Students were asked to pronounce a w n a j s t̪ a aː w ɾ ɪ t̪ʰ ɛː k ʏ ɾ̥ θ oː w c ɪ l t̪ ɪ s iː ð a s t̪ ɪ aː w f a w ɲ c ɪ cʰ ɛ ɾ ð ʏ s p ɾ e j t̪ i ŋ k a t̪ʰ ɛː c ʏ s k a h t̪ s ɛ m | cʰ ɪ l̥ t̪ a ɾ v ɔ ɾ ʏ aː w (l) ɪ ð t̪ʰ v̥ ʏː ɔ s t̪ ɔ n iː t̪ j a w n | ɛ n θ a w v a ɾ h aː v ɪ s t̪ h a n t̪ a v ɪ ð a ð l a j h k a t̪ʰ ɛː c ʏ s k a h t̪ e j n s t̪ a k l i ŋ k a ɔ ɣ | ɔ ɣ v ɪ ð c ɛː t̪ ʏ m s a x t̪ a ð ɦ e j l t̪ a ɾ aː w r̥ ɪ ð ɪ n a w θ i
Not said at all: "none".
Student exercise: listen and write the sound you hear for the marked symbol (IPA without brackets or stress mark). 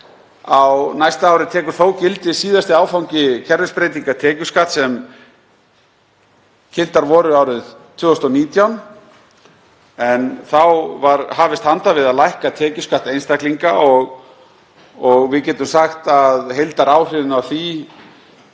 ɾ